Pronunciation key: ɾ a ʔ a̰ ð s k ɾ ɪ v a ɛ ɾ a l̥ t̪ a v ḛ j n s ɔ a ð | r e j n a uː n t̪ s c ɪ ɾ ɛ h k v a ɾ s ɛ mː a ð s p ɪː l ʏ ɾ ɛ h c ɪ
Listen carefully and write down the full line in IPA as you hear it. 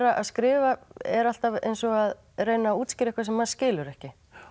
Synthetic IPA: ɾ a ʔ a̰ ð s k ɾ ɪː v a ɛ ɾ a l̥ t̪ a v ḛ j n s ɔ a ð | r e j n a uː t̪ s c ɪ ɾ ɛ h k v a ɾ s ɛ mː a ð s c ɪː l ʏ ɾ ɛ h c ɪ